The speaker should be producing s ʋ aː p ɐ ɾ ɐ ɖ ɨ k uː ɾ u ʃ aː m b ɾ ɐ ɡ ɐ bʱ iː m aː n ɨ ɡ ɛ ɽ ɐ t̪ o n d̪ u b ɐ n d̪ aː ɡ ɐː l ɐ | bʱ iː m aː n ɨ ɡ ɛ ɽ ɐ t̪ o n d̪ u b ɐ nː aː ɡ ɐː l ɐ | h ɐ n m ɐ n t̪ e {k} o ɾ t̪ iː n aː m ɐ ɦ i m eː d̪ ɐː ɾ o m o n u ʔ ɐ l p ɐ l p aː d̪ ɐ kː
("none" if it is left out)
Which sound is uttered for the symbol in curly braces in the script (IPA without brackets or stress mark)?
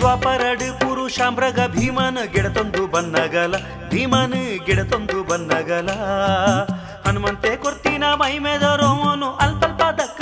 k